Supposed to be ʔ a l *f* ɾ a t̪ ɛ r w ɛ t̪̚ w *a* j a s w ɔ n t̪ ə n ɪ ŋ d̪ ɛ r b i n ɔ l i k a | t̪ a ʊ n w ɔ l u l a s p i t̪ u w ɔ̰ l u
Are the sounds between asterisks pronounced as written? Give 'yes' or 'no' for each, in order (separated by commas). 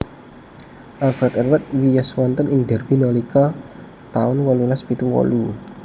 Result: yes, no